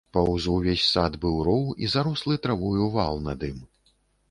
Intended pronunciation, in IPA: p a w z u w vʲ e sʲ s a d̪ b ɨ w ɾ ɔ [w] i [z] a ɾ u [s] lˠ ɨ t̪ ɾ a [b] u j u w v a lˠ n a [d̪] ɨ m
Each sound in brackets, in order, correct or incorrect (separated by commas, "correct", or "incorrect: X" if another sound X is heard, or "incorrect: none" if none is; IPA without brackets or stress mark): correct, correct, correct, incorrect: v, correct